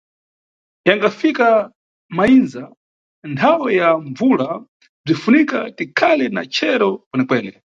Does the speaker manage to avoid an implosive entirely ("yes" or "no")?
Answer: yes